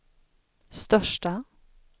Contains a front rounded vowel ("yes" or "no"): yes